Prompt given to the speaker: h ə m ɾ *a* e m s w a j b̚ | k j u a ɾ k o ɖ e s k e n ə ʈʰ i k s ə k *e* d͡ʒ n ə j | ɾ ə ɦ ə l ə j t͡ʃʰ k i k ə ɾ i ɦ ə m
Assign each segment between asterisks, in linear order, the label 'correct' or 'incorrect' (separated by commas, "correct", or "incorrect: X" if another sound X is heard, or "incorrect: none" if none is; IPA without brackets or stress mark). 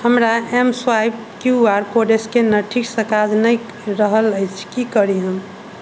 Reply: correct, incorrect: a